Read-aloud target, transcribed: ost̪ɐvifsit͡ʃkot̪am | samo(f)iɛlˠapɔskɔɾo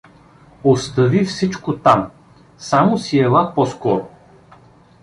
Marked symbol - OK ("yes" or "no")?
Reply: no